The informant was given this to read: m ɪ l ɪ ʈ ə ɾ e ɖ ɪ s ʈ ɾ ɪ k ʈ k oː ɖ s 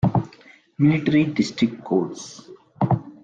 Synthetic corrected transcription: m ɪ l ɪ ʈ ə ɾ i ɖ ɪ s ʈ ɾ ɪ k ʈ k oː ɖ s